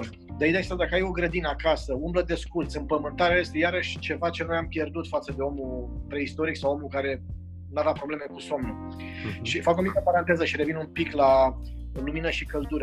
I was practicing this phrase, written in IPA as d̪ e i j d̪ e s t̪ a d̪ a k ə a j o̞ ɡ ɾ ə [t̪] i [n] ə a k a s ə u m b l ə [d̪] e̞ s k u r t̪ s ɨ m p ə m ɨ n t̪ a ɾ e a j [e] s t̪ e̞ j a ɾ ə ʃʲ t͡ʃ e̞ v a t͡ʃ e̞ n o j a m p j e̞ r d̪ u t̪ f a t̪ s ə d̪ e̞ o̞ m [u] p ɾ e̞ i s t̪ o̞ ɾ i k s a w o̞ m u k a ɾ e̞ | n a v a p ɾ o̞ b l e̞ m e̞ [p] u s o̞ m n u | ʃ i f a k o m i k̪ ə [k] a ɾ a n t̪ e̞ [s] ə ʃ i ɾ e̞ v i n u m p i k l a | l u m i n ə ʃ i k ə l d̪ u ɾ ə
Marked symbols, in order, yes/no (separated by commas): no, yes, yes, yes, yes, no, no, no